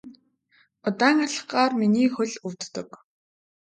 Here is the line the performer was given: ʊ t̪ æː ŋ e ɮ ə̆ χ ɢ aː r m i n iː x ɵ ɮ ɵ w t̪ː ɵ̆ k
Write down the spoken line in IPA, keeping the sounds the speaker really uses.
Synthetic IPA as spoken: ʊ t̪ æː ŋ a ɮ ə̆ χ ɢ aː r m i n iː x ɵ ɮ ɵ w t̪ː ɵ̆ k